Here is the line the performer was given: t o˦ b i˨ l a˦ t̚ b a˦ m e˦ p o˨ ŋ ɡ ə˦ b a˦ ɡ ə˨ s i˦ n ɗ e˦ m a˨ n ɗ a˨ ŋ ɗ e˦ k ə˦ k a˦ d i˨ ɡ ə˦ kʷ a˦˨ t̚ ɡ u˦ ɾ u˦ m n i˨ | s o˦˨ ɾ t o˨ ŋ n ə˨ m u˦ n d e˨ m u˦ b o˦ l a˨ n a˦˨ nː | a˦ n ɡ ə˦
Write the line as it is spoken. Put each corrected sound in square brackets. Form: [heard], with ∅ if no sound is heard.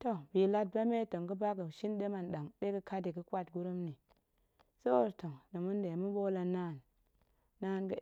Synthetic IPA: t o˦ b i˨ l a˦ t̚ b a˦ m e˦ [t] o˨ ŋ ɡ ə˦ b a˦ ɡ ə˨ [ʃ] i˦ n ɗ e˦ m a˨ n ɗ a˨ ŋ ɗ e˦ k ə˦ k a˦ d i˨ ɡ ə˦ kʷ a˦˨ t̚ ɡ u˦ ɾ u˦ m n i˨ | s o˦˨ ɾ t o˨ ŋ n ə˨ m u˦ n d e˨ m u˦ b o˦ l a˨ n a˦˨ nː | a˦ n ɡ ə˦